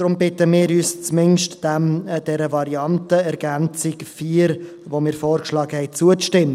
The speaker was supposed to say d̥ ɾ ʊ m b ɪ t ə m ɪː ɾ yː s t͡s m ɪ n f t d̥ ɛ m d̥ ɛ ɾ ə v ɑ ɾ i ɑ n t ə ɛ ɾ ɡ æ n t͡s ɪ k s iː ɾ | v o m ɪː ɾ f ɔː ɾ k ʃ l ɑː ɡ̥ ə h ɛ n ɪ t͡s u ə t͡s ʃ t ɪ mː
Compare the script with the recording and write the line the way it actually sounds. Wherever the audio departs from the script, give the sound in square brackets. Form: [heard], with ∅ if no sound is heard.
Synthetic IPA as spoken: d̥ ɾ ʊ m b ɪ t ə m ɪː ɾ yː s t͡s m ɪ n [ʃ] t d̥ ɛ m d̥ ɛ ɾ ə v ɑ ɾ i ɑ n t ə ɛ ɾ ɡ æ n t͡s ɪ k [f] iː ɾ | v o m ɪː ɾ f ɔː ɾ k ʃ l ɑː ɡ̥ ə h ɛ [∅] ɪ t͡s u ə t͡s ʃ t ɪ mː